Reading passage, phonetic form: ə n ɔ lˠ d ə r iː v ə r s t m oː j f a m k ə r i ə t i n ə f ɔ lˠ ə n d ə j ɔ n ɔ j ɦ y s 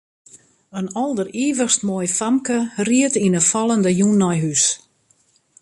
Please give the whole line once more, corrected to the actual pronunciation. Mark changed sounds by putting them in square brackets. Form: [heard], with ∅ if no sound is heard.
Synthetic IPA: ə n ɔ lˠ d ə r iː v ə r s t m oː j f a m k ə r i ə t i n ə f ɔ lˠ ə n d ə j [u] n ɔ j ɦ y s